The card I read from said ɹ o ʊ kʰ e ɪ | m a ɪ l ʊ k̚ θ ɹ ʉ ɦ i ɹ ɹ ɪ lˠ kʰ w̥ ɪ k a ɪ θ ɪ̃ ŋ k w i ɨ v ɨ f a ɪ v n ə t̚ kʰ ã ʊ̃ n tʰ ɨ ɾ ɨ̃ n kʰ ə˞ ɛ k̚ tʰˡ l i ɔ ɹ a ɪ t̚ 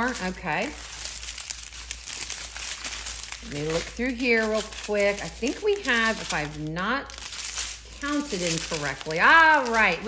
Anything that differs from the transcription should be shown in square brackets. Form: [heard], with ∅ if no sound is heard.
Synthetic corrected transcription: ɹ o ʊ kʰ e ɪ | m [e] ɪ l ʊ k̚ θ ɹ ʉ ɦ i ɹ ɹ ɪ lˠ kʰ w̥ ɪ k a ɪ θ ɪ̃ ŋ k w i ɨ v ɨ f a ɪ v n ə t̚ kʰ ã ʊ̃ n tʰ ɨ ɾ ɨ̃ n kʰ ə˞ ɛ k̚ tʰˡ l i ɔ ɹ a ɪ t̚